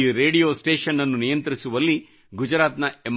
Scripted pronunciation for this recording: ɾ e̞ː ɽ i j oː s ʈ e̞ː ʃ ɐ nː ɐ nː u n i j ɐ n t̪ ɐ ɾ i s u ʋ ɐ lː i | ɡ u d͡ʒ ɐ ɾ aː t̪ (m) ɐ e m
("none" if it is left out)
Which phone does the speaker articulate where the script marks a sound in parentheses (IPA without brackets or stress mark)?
n